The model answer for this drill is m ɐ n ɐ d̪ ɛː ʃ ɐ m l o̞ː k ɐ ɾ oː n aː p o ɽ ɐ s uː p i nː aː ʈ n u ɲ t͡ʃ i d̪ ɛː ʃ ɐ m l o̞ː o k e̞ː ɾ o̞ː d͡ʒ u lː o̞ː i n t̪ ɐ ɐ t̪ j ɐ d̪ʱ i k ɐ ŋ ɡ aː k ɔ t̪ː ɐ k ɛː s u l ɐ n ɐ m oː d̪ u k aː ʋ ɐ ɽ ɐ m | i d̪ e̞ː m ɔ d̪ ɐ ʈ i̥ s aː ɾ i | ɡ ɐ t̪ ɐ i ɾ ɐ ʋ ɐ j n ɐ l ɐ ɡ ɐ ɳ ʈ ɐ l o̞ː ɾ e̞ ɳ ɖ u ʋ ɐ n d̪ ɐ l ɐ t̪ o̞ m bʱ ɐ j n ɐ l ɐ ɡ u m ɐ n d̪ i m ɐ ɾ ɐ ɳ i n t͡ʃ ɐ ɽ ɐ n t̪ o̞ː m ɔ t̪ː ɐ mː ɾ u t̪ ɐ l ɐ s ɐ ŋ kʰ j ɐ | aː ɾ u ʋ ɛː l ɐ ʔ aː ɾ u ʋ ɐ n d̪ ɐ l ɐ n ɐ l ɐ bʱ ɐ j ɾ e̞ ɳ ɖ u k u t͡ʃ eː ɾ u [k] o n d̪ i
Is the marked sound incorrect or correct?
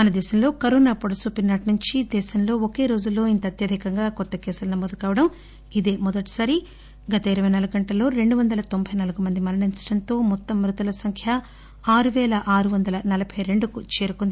correct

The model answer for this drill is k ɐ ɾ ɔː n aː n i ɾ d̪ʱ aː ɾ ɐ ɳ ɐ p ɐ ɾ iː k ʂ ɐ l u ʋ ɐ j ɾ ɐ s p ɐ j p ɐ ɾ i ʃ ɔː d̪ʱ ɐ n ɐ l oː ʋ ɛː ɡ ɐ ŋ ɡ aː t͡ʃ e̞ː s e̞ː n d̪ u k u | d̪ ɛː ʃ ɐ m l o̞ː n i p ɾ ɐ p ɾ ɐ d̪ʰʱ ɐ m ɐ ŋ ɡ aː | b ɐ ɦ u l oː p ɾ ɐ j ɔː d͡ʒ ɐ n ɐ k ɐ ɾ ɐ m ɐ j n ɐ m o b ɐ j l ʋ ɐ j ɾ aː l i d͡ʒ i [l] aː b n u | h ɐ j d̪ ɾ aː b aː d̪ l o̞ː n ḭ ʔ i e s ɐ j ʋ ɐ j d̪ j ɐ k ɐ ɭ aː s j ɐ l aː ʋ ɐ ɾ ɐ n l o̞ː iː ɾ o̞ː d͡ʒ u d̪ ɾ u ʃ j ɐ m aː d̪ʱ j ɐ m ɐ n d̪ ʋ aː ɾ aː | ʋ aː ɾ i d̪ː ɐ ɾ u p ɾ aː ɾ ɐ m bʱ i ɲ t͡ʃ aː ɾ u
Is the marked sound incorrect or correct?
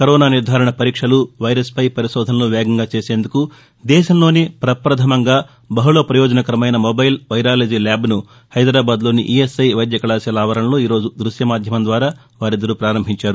correct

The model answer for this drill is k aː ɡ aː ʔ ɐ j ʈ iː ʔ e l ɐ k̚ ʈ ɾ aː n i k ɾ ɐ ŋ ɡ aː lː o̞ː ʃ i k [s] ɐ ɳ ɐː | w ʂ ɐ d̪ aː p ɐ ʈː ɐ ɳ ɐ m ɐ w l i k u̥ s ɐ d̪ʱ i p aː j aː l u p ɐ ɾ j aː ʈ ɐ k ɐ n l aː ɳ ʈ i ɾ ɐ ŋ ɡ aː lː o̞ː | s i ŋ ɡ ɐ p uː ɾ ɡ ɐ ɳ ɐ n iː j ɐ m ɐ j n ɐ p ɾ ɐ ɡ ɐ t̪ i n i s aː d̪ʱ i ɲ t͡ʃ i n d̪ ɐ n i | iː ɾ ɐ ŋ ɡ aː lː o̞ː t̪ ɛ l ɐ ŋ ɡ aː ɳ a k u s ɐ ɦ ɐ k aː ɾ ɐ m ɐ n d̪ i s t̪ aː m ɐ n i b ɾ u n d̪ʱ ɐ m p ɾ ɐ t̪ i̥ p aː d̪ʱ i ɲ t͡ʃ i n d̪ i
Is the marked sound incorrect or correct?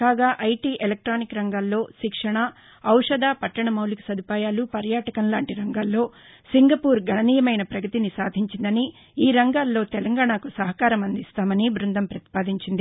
incorrect: ʂ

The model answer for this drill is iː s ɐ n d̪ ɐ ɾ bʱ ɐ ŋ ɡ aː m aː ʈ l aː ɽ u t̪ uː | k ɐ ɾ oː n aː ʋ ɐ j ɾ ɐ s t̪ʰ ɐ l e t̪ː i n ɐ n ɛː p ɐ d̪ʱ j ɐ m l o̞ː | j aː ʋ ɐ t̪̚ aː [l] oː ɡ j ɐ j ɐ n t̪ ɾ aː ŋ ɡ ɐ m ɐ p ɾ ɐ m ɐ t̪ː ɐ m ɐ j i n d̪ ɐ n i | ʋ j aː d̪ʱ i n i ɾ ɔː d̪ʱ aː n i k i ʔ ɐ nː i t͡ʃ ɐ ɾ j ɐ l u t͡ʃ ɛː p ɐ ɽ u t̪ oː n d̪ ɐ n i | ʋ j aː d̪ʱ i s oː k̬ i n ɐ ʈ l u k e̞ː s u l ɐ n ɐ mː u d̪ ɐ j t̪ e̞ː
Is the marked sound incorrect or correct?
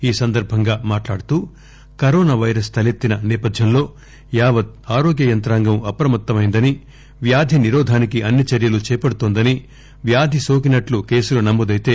incorrect: ɾ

